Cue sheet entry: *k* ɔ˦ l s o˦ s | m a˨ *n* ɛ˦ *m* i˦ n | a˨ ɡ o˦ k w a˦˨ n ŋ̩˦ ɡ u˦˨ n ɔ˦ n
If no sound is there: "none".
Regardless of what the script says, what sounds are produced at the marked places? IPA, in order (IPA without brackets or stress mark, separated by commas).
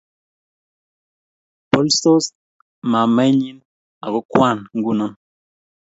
p, m, ɲ